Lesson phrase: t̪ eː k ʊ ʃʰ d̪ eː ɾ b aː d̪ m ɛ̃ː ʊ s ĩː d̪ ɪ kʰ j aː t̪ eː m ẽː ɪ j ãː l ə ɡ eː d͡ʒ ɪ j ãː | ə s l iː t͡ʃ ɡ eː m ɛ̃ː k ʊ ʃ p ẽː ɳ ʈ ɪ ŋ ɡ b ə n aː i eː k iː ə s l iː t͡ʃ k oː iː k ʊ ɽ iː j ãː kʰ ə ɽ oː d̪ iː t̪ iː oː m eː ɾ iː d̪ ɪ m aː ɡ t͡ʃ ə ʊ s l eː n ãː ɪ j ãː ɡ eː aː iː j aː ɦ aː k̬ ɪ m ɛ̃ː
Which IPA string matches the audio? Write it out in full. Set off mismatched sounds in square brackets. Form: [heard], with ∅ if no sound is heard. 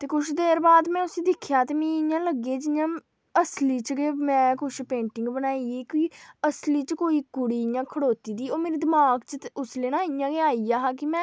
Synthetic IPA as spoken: t̪ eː k ʊ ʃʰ d̪ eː ɾ b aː d̪ m ɛ̃ː ʊ s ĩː d̪ ɪ kʰ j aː t̪ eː m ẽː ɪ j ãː l ə ɡ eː d͡ʒ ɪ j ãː | ə s l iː t͡ʃ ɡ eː m ɛ̃ː k ʊ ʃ p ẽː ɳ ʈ ɪ ŋ ɡ b ə n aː i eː k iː ə s l iː t͡ʃ k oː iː k ʊ ɽ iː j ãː kʰ ə ɽ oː [t̪] iː [d̪] iː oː m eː ɾ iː d̪ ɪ m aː ɡ t͡ʃ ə ʊ s l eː n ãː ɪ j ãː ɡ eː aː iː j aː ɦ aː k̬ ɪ m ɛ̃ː